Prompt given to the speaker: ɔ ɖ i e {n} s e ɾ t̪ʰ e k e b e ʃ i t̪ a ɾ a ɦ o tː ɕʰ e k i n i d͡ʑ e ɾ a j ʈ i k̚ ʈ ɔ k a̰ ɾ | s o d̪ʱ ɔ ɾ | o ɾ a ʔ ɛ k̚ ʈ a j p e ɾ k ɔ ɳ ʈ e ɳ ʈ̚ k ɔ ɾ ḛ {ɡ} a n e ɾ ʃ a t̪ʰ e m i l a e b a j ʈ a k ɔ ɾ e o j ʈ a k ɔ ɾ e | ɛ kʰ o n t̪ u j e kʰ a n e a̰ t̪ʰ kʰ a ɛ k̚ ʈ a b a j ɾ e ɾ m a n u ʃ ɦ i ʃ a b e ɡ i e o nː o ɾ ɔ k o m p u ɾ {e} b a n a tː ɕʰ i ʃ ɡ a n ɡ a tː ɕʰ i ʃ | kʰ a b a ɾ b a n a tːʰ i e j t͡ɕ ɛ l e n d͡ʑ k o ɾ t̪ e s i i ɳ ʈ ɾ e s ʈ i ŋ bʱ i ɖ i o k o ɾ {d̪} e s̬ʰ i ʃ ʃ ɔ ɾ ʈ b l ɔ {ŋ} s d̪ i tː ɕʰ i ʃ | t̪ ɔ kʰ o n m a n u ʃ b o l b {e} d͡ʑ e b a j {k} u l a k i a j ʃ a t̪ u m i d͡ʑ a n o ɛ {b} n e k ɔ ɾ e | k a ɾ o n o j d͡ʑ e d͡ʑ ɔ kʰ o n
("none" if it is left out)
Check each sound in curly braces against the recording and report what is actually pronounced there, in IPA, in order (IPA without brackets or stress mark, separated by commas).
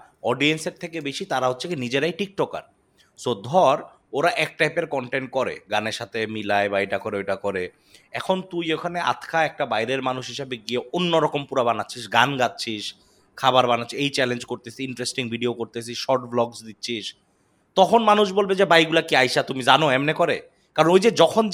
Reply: n, ɡ, a, t̪, ɡ, e, ɡ, m